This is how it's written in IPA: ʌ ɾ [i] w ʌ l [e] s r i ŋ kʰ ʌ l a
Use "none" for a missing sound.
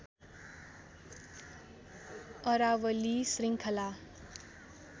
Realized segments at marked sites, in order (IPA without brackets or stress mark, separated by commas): a, i